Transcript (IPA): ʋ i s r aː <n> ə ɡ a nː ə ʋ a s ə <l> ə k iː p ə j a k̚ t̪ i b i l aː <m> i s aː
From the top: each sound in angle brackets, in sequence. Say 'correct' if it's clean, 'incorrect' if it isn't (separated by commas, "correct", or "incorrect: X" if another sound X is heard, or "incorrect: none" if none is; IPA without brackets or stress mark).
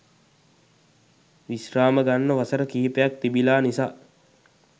incorrect: m, incorrect: ɾ, incorrect: n